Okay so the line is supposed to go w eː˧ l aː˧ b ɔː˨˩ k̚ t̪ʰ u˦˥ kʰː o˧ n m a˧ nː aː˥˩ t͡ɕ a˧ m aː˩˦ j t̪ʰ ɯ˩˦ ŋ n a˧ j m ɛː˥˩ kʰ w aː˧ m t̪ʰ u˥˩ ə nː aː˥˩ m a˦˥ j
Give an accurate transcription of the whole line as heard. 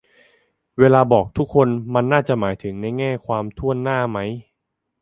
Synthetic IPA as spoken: w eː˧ l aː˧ b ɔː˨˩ k̚ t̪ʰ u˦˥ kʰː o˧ n m a˧ nː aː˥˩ t͡ɕ a˨˩ m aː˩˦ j t̪ʰ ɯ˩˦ ŋ n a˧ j ŋ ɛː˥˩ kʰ w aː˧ m t̪ʰ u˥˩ ə nː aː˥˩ m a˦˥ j